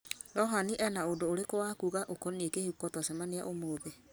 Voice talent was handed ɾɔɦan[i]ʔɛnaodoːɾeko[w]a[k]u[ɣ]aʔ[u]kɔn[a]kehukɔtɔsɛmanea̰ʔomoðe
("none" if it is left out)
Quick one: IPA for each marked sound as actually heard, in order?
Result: i, w, k, ɣ, o, e

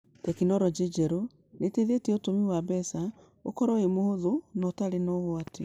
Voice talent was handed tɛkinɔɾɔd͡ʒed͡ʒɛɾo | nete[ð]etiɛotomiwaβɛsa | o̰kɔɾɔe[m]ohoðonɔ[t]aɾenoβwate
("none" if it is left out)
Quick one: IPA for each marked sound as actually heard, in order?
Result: ð, m, t

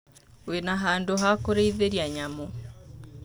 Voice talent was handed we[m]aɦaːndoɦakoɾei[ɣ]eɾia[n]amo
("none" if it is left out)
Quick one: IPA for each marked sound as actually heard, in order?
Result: n, ð, ɲ

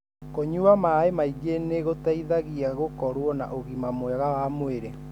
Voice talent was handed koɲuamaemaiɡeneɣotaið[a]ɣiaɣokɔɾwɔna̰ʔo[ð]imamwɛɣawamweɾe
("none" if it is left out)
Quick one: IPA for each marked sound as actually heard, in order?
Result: a, ɣ

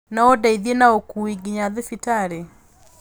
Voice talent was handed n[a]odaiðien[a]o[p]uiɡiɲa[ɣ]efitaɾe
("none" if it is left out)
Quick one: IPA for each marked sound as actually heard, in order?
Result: a, a, k, ð

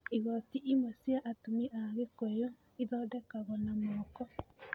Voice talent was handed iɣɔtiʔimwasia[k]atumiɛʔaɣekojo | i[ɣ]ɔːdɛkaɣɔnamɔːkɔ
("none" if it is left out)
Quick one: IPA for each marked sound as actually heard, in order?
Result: ʔ, ð

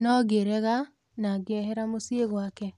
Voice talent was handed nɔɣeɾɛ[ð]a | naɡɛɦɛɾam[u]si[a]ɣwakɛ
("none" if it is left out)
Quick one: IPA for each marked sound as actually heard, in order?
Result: ɣ, o, e

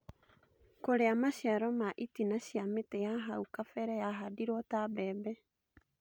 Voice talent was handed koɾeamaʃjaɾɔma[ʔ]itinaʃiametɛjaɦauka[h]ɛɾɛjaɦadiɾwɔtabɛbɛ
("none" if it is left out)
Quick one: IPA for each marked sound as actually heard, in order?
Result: ʔ, f

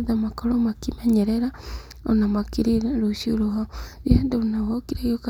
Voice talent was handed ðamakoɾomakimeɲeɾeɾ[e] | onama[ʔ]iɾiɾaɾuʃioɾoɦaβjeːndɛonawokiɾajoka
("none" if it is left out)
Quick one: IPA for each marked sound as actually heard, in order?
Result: a, k

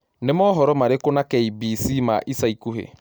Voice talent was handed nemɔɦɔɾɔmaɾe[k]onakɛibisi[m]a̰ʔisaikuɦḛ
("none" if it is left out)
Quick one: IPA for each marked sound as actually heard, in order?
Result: k, m

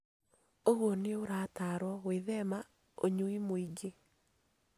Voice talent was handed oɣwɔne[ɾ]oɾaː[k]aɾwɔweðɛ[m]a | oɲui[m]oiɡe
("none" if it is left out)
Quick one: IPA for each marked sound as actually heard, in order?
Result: none, t, m, m

